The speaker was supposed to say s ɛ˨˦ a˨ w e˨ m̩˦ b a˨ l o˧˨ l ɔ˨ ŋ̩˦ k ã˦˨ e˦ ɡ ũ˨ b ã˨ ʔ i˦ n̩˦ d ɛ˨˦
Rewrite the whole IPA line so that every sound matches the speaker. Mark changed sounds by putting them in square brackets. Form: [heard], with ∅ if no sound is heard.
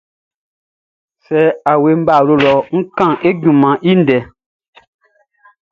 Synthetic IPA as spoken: s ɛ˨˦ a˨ w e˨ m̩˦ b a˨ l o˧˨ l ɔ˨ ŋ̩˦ k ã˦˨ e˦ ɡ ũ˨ [m] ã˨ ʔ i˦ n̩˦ d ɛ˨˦